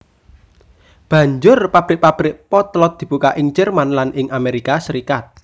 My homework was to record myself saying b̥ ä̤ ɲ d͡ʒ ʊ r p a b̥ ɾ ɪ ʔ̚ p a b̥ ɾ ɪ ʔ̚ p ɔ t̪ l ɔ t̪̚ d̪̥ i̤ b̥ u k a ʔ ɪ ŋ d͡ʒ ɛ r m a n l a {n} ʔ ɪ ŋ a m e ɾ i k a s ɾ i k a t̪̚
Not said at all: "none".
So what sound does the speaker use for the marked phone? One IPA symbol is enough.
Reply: n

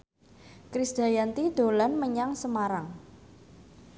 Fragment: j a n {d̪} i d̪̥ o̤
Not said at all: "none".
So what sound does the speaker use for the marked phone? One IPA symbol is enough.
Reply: t̪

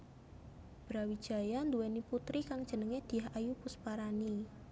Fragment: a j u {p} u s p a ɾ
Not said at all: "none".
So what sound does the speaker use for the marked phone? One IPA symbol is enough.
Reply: p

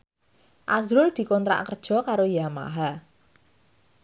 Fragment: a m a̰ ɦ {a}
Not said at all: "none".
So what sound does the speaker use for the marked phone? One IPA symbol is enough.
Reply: a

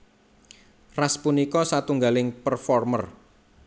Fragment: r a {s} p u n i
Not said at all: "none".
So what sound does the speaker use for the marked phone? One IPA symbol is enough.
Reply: s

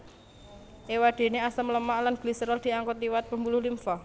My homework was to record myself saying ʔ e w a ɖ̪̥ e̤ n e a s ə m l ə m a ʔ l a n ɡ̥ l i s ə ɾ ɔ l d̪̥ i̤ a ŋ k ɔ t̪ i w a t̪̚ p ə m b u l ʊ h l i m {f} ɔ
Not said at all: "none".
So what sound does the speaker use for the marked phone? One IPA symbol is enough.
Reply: f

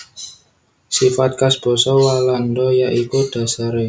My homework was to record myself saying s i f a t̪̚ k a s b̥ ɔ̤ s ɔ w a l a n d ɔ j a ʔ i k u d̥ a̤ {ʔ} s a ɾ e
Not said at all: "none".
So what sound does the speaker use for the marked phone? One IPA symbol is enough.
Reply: none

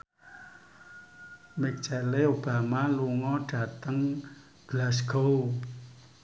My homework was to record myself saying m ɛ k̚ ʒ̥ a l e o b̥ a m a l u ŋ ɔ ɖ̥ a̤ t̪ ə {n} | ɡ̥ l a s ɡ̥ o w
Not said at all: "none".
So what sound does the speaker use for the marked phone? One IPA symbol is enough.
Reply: ŋ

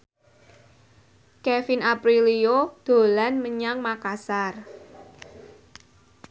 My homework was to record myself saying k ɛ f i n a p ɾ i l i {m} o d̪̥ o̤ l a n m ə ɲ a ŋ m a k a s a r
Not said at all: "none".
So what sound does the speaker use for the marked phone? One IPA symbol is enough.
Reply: none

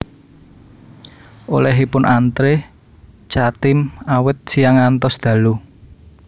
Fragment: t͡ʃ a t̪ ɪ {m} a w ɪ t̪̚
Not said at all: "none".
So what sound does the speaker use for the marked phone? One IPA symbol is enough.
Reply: m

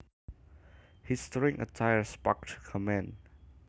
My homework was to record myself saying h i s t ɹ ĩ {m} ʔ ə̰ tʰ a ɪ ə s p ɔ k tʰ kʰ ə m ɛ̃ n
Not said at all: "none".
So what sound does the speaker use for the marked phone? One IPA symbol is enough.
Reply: ŋ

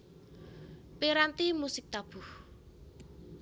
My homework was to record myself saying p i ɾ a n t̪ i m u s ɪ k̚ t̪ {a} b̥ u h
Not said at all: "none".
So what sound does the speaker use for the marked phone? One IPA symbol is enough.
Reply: a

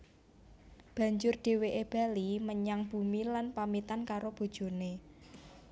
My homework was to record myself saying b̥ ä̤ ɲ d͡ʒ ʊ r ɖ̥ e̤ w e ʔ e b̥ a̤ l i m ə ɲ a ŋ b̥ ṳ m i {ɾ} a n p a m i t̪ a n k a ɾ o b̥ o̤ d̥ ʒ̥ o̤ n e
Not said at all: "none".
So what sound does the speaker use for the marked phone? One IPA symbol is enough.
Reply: l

